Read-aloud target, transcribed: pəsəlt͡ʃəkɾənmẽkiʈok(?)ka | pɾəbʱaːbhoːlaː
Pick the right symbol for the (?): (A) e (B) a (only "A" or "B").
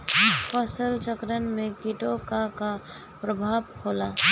B